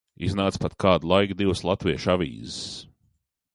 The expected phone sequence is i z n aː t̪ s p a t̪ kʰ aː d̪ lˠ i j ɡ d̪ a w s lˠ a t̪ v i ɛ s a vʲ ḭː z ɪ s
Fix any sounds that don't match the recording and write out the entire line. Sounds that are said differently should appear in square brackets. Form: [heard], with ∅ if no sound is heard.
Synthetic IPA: i z n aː t̪ s p a t̪ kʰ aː d̪ lˠ [a] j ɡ d̪ [i] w s lˠ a t̪ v i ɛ [ʃ] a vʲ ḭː z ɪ s